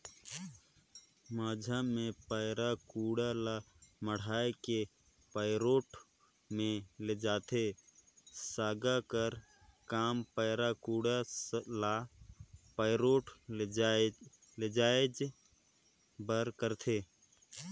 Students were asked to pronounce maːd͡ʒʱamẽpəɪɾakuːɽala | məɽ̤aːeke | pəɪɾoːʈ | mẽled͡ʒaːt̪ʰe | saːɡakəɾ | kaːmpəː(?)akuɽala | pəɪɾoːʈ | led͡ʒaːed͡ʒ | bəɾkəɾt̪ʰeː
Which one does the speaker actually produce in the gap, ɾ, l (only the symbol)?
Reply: ɾ